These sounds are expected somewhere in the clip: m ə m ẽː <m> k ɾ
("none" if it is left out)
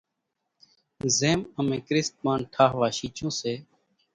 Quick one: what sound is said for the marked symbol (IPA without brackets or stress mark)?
none